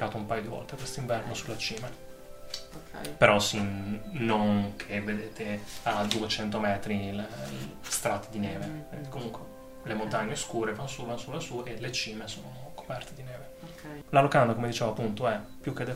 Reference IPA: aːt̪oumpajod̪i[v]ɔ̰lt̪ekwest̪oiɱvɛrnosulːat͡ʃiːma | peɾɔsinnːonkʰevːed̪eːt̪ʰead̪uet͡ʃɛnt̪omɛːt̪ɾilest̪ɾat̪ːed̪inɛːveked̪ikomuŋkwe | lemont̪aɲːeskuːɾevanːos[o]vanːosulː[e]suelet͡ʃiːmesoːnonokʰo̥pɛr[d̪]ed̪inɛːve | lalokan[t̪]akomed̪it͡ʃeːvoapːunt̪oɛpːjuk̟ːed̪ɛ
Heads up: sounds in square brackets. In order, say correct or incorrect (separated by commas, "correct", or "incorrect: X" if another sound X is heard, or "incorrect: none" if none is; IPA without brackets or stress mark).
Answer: correct, incorrect: u, incorrect: a, incorrect: t̪, incorrect: d̪